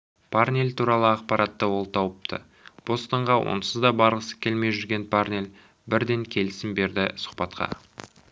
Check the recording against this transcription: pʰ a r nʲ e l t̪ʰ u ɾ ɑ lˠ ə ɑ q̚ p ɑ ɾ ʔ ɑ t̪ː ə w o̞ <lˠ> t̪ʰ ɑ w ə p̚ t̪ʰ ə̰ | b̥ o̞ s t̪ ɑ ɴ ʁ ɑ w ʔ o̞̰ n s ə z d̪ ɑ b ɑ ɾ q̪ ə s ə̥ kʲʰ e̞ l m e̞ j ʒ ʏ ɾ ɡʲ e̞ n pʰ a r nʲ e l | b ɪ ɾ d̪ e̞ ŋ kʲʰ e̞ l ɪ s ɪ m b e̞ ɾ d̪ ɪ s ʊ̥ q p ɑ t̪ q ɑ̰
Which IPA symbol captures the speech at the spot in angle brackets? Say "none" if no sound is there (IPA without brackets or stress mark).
lˠ